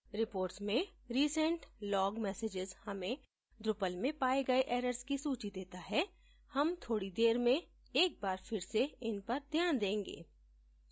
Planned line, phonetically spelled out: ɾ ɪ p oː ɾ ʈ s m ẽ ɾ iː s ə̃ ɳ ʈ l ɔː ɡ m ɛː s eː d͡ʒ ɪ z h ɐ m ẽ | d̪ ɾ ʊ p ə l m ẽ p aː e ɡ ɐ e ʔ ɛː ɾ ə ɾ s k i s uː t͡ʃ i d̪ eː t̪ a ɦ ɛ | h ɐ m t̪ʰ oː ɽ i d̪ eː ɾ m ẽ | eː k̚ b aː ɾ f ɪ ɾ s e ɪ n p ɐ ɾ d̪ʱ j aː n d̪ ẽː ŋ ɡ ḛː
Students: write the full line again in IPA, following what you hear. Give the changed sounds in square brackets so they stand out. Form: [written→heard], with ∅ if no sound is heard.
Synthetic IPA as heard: ɾ ɪ p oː ɾ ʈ s m ẽ ɾ iː s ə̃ ɳ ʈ l ɔː ɡ m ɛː s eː d͡ʒ ɪ z h ɐ m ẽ | d̪ ɾ ʊ p ə l m ẽ p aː e ɡ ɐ e ʔ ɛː ɾ ə ɾ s k i s uː t͡ʃ i d̪ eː t̪ a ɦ ɛ | h ɐ m t̪ʰ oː ɽ i d̪ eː ɾ m ẽ | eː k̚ b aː ɾ f ɪ ɾ s e ɪ n p ɐ ɾ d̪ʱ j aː n d̪ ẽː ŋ ɡ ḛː